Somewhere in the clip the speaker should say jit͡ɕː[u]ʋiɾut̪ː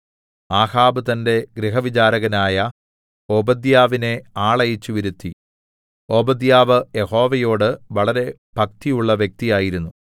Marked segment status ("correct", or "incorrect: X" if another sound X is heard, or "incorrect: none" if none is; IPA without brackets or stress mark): correct